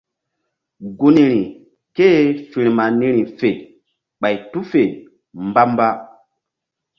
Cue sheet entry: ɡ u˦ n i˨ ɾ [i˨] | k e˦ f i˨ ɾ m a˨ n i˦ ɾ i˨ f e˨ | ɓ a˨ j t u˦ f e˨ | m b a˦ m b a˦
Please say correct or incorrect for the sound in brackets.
correct